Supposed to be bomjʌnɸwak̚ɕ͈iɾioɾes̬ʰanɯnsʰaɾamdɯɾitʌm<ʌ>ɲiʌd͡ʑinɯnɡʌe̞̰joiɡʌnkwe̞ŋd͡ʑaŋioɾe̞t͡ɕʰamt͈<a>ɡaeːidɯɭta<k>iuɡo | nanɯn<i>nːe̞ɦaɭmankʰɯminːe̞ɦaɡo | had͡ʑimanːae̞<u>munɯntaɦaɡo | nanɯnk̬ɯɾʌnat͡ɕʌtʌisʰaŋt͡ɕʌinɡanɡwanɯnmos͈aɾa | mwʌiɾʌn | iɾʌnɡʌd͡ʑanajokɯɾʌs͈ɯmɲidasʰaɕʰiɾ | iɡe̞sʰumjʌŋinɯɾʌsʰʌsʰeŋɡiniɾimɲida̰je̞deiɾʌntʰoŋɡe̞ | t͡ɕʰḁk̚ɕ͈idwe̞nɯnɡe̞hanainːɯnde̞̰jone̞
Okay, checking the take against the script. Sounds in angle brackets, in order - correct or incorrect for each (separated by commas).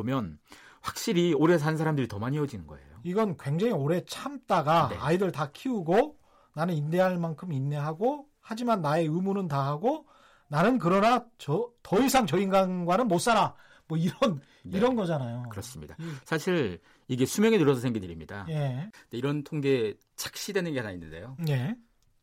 incorrect, correct, incorrect, correct, incorrect